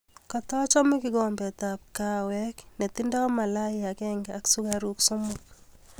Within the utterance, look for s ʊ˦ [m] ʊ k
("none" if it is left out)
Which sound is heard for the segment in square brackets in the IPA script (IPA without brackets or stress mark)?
m